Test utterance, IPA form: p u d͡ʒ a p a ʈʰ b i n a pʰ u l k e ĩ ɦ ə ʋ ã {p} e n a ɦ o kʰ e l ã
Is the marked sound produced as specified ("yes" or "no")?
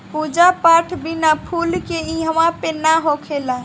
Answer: yes